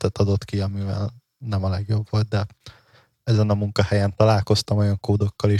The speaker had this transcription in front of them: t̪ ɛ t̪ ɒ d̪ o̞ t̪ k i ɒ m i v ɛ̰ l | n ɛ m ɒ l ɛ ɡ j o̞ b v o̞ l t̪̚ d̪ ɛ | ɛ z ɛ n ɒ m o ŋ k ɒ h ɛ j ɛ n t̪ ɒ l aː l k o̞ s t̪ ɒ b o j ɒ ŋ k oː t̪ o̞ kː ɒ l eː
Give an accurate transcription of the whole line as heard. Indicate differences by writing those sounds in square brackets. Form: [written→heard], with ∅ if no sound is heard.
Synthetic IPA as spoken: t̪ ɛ t̪ ɒ d̪ o̞ t̪ k i ɒ m i v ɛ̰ l | n ɛ m ɒ l ɛ ɡ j o̞ b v o̞ l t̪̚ d̪ ɛ | ɛ z ɛ n ɒ m [o→u] ŋ k ɒ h ɛ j ɛ n t̪ ɒ l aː l k o̞ s t̪ ɒ [b→m] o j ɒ ŋ k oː [t̪→d̪] o̞ kː ɒ l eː